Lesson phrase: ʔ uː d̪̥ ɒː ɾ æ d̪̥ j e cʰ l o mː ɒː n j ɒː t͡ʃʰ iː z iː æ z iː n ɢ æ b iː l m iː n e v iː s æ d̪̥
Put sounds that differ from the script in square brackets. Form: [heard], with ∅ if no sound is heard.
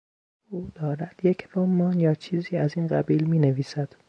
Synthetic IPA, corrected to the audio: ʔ uː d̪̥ ɒː ɾ æ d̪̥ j e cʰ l o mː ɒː n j ɒː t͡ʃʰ iː z iː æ z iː n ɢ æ b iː l m iː n e v iː s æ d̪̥